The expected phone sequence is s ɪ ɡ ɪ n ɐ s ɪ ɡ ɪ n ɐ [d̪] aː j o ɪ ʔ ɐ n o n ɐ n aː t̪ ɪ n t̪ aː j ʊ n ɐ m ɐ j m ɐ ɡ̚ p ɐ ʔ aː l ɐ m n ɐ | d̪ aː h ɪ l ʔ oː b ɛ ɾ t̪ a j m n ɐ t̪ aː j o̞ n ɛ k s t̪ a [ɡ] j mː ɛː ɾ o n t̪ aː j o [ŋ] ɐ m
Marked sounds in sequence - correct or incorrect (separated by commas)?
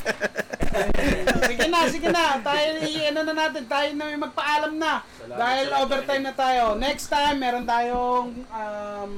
incorrect, incorrect, correct